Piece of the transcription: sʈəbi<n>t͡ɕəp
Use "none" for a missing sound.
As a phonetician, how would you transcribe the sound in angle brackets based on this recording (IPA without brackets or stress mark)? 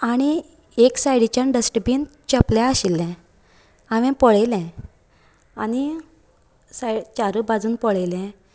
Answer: n